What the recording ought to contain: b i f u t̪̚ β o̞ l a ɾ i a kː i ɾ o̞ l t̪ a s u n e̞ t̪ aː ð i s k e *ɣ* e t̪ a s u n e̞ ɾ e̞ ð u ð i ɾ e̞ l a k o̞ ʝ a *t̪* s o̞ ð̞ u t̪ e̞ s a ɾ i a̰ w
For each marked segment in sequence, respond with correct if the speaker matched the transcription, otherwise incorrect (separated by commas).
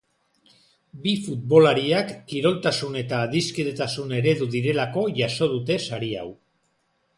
incorrect, incorrect